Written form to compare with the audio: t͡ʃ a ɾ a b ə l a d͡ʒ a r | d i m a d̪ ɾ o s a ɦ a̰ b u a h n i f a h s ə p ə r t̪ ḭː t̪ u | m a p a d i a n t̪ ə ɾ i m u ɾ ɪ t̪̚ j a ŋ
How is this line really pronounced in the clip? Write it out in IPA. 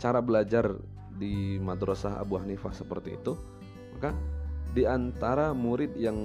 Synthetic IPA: t͡ʃ a ɾ a b ə l a d͡ʒ a r | d i m a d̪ ɾ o s a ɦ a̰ b u a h n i f a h s ə p ə r t̪ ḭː t̪ u | m a k a d i a n t̪ a ɾ a m u ɾ ɪ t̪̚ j a ŋ